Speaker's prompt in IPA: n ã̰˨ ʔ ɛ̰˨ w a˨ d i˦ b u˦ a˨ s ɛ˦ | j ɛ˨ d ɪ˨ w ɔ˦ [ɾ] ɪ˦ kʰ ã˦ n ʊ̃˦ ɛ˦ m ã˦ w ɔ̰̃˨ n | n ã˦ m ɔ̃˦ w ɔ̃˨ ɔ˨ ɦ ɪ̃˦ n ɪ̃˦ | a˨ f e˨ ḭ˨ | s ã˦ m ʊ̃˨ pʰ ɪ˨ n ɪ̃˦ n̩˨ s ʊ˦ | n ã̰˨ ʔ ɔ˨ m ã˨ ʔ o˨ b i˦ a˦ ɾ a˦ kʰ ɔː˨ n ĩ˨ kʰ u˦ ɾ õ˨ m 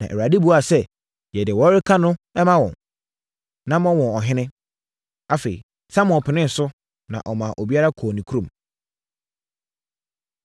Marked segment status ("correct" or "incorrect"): correct